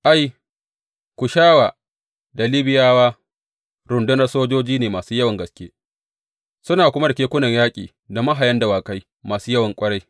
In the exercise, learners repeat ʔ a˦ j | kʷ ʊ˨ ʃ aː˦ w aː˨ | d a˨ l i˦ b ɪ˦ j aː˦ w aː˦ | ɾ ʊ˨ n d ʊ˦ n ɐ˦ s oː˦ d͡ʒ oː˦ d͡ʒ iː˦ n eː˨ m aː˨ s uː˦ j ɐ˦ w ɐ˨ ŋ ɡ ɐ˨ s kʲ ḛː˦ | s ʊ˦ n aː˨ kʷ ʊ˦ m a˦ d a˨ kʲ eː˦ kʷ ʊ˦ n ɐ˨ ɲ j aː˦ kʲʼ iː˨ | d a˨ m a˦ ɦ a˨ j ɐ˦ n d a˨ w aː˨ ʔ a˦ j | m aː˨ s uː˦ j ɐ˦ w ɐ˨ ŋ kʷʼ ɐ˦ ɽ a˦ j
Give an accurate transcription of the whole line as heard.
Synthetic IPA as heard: ʔ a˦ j | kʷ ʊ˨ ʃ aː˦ w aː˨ | d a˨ l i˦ b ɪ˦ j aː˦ w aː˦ | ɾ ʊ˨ n d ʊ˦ n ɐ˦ s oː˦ d͡ʒ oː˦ d͡ʒ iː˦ n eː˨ m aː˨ s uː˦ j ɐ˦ w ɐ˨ ŋ ɡ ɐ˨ s kʲ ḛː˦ | s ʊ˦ n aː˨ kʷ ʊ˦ m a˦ d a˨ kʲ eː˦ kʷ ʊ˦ n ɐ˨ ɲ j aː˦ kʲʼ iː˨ | d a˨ m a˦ ɦ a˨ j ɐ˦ n d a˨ w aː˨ k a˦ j | m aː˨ s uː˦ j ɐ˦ w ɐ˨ ŋ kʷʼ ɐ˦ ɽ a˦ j

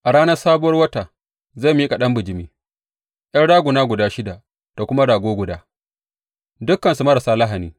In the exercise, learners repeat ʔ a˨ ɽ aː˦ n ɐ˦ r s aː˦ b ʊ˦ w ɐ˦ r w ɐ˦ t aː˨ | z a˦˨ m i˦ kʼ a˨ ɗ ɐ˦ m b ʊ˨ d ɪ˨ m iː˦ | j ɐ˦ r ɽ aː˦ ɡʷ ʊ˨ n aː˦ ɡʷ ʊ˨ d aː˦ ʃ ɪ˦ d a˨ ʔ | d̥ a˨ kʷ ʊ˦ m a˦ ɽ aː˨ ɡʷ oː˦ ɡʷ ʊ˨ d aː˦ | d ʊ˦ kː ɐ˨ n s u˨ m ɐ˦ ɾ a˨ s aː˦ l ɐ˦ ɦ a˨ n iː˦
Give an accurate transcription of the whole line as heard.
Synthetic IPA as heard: ʔ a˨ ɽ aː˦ n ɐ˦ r s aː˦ b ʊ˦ w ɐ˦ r w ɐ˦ t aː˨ | z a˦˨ m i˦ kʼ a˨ ɗ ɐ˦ m b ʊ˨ d͡ʒ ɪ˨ m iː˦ | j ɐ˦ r ɽ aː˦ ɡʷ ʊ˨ n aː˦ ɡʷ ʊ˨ d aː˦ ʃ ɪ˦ d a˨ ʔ | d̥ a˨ kʷ ʊ˦ m a˦ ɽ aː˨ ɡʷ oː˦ ɡʷ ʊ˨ d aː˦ | d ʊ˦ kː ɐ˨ n s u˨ m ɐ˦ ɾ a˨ s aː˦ l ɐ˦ ɦ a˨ n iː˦

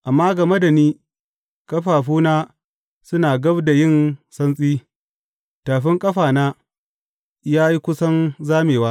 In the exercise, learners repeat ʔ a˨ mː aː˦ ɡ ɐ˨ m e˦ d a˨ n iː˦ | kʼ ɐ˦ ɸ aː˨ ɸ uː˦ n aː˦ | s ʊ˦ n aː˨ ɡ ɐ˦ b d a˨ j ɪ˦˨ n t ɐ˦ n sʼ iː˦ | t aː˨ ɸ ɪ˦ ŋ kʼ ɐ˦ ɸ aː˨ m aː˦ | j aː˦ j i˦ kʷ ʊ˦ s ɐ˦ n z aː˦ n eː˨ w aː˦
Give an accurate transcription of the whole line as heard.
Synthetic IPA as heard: ʔ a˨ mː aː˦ ɡ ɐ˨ m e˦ d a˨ n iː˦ | kʼ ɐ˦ ɸ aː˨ ɸ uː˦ n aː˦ | s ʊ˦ n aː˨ ɡ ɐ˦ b d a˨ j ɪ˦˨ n s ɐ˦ n sʼ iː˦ | t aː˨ ɸ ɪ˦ ŋ kʼ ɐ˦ ɸ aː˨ n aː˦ | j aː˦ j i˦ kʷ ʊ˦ s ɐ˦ n z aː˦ m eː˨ w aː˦

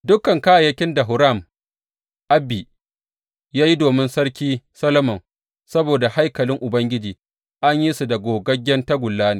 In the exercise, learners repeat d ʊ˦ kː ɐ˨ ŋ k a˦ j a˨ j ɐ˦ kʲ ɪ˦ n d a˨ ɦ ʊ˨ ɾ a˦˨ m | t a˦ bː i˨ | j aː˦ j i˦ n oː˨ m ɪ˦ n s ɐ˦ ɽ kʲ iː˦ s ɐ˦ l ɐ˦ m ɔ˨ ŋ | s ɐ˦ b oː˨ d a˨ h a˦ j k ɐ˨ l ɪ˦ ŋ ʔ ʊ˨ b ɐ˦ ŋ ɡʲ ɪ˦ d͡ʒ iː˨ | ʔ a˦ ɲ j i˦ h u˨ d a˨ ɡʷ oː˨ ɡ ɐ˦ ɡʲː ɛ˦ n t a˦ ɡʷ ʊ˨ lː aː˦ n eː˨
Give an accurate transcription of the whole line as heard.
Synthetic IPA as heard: d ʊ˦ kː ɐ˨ ŋ k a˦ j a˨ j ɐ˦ kʲ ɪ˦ n d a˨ ɦ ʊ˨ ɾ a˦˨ m | ʔ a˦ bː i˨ | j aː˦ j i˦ d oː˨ m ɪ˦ n s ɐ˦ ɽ kʲ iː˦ s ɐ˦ l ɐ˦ m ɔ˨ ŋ | s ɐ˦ b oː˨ d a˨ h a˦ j k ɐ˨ l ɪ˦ ŋ ʔ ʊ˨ b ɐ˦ ŋ ɡʲ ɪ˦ d͡ʒ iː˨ | ʔ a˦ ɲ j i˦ s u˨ d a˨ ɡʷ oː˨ ɡ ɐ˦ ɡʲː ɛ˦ n t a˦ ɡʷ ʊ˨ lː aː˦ n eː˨

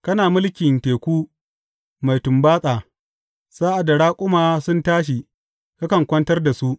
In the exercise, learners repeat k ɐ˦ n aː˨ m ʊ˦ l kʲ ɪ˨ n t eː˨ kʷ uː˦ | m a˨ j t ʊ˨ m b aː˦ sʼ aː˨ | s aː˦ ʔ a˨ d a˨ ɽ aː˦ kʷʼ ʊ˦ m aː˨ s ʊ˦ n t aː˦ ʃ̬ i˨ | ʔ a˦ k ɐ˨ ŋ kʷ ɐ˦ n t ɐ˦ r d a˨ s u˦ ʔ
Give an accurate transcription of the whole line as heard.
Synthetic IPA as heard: k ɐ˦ n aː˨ m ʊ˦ l kʲ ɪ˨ n t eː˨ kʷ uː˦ | m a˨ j t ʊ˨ m b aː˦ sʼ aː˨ | s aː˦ ʔ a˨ d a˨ ɽ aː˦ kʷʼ ʊ˦ m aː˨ s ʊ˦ n t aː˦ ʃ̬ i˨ | k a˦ k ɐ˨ ŋ kʷ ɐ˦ n t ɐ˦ r d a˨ s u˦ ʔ

